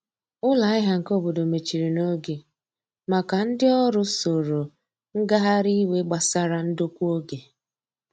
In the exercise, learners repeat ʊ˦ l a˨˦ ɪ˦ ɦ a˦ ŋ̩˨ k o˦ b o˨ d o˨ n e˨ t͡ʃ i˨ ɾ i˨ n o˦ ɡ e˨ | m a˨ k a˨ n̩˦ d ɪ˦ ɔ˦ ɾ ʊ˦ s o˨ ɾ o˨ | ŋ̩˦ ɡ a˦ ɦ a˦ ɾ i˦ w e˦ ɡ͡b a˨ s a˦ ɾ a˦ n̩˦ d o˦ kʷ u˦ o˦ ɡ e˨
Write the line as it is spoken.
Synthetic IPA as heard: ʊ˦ l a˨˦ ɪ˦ ɦ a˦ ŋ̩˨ k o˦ b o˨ d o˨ m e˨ t͡ʃ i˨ ɾ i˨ n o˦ ɡ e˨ | m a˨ k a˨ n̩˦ d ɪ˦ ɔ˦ ɾ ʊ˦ s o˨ ɾ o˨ | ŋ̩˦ ɡ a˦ ɦ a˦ ɾ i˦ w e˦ ɡ͡b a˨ s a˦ ɾ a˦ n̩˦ d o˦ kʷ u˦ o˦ ɡ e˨